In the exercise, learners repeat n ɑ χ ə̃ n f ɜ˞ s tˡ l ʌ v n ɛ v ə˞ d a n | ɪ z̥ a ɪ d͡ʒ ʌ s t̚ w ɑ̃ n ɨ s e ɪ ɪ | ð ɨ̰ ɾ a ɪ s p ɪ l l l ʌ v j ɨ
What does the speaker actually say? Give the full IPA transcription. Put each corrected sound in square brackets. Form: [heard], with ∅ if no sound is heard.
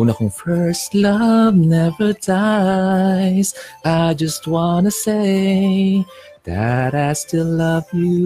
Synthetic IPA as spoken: n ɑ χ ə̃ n f ɜ˞ s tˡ l ʌ v n ɛ v ə˞ d a [∅] | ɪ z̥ a ɪ d͡ʒ ʌ s t̚ w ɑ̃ n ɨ s e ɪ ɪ | ð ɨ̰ ɾ a ɪ s [t] ɪ l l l ʌ v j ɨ